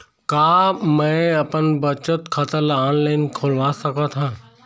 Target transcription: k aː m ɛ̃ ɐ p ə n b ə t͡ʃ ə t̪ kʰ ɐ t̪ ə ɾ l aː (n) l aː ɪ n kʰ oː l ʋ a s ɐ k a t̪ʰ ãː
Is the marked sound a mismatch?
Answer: no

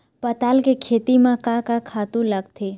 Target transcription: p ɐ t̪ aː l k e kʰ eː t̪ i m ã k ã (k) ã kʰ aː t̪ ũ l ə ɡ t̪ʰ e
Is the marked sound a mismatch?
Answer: no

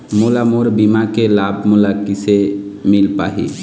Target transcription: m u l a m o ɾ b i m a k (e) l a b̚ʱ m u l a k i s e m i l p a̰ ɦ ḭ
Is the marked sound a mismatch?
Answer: no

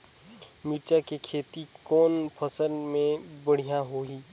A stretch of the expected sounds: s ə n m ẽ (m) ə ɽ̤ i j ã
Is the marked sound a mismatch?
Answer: yes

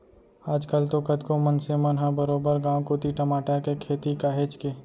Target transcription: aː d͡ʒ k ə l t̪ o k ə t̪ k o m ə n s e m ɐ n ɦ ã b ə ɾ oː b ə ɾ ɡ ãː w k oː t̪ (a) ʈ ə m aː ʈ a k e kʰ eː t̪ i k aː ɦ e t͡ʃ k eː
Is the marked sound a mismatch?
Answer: yes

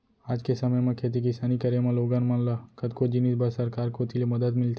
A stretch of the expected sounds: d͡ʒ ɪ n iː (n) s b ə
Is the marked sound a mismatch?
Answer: yes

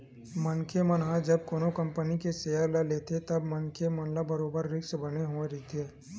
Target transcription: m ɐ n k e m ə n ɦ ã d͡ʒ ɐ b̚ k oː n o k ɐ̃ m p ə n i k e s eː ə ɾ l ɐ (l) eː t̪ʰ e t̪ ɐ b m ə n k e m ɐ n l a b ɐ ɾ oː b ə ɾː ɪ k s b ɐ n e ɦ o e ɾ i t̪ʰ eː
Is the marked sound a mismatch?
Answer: no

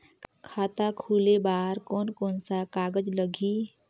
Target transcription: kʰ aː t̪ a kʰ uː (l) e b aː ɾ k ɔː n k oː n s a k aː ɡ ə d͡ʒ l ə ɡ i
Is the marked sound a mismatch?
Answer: no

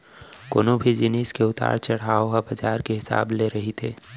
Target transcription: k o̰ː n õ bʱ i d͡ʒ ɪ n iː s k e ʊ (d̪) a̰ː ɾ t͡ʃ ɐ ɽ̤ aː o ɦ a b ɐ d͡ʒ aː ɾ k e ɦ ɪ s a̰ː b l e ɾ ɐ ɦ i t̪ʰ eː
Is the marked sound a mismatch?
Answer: yes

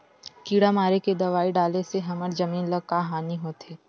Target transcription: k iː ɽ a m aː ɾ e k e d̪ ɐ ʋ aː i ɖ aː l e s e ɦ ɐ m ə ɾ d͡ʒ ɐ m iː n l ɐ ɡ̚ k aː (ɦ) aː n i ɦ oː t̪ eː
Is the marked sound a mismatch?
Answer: no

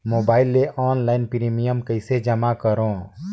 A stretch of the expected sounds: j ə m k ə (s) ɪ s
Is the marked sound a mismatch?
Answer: yes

